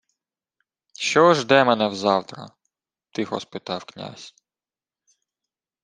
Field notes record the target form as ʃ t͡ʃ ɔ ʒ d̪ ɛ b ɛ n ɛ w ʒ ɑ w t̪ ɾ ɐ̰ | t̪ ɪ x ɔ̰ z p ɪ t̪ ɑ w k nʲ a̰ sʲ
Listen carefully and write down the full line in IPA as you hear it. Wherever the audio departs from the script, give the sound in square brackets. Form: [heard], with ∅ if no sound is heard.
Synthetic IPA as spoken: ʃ t͡ʃ ɔ ʒ d̪ ɛ [m] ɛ n ɛ w [z] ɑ w t̪ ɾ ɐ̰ | t̪ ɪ x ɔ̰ [s] p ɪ t̪ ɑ w k nʲ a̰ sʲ